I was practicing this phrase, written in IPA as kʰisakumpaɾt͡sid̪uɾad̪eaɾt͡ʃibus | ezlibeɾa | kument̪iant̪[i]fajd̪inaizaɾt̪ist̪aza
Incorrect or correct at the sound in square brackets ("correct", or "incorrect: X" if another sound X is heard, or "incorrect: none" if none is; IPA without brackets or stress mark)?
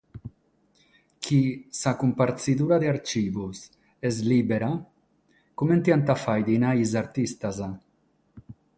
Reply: incorrect: a